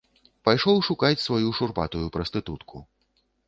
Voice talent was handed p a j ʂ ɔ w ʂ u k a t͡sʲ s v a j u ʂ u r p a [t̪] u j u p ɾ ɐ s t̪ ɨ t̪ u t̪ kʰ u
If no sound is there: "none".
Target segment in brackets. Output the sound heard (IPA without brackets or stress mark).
t̪